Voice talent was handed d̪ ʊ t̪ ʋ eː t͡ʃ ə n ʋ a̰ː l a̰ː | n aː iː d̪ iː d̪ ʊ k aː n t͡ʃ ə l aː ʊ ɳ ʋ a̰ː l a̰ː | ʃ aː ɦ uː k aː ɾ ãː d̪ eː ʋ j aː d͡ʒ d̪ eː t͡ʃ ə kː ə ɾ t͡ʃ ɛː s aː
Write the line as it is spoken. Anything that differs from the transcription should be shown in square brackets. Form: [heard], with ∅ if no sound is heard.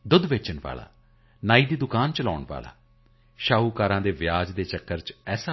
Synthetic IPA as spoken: d̪ ʊ [d̪] ʋ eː t͡ʃ ə n ʋ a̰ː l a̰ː | n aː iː d̪ iː d̪ ʊ k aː n t͡ʃ ə l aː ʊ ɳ ʋ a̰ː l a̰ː | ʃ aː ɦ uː k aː ɾ ãː d̪ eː ʋ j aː d͡ʒ d̪ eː t͡ʃ ə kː ə ɾ t͡ʃ ɛː s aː